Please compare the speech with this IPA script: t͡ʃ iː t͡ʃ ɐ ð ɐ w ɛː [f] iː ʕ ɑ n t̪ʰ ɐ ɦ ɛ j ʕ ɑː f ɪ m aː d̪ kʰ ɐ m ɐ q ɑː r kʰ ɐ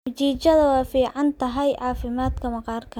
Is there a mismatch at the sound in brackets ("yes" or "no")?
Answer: no